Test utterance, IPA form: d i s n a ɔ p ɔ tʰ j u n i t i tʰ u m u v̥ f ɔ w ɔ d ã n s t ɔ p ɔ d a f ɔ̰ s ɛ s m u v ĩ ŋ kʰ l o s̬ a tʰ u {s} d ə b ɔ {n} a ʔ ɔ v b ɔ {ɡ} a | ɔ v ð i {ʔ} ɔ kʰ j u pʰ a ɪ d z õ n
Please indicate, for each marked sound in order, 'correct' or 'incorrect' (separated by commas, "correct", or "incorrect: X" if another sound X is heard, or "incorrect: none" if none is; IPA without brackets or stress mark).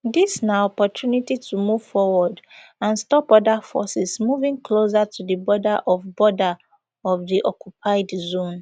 incorrect: none, incorrect: d, incorrect: d, correct